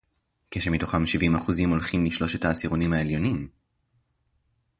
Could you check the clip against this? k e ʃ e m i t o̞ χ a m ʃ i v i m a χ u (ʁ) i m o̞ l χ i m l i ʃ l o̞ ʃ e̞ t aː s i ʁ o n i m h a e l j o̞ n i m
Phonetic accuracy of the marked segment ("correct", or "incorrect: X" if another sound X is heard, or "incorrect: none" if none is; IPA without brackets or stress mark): incorrect: z